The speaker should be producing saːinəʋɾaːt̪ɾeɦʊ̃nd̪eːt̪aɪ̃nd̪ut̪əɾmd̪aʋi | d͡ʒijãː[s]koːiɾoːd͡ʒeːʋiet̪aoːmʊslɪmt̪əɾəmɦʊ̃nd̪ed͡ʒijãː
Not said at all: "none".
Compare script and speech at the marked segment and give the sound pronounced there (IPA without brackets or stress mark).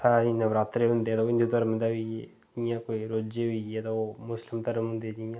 none